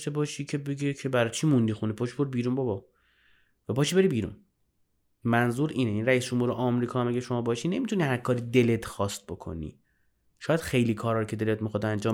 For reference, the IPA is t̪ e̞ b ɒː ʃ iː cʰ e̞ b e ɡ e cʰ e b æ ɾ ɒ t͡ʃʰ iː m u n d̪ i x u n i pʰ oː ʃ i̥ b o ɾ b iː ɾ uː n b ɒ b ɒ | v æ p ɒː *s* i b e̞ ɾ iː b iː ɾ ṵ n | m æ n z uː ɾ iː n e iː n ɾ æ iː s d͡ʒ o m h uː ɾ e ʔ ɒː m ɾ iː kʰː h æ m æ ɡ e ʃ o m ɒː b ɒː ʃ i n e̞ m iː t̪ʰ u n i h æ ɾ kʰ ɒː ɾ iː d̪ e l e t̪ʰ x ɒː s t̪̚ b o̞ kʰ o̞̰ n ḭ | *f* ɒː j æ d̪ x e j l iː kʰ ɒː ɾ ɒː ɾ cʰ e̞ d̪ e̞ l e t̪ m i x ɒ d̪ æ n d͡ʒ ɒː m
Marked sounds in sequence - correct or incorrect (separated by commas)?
incorrect, incorrect